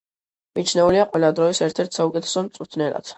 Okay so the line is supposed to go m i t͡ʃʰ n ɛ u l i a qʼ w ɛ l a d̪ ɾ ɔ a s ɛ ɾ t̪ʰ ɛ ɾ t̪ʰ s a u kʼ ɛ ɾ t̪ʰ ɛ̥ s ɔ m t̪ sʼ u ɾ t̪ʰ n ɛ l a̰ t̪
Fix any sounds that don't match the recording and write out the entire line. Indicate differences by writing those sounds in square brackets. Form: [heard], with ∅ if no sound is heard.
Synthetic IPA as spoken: m i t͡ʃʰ n ɛ u l i a qʼ w ɛ l a d̪ ɾ ɔ [i] s ɛ ɾ t̪ʰ ɛ ɾ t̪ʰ s a u kʼ ɛ [∅] t̪ʰ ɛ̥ s ɔ m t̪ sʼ u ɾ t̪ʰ n ɛ l a̰ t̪